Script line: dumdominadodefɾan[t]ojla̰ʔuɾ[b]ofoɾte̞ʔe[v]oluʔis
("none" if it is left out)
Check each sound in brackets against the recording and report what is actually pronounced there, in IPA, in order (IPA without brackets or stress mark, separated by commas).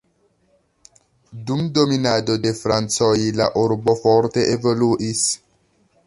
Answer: t͡s, b, v